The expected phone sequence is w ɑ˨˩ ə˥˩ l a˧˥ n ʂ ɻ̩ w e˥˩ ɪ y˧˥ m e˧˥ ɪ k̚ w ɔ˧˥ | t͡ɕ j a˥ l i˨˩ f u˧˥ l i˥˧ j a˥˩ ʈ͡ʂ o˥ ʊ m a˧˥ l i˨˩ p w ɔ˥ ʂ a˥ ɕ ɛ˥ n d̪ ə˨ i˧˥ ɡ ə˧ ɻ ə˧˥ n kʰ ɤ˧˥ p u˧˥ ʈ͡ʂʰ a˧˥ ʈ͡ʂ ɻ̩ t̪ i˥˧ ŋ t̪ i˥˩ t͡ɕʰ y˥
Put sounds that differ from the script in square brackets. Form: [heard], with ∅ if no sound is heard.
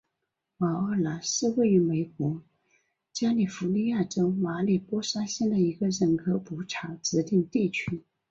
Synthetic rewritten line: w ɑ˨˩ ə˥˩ l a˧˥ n ʂ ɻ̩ w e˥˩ ɪ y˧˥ m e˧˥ ɪ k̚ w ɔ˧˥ | t͡ɕ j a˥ l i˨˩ f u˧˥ l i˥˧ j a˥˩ ʈ͡ʂ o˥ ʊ m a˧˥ l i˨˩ p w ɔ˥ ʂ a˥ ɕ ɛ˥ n d̪ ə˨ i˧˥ ɡ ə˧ ɻ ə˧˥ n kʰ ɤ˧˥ p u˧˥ ʈ͡ʂʰ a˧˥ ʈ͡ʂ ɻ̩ t̪ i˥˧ ŋ t̪ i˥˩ t͡ɕʰ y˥